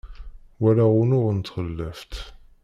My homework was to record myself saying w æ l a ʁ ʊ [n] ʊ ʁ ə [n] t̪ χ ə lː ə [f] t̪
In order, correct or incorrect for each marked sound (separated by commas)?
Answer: correct, correct, correct